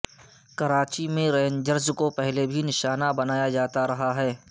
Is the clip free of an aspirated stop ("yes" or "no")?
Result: yes